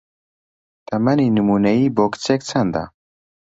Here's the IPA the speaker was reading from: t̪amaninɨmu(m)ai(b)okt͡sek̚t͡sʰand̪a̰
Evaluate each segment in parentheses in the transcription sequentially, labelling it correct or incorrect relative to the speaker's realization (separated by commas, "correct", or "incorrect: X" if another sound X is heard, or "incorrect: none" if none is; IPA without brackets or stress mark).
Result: incorrect: n, correct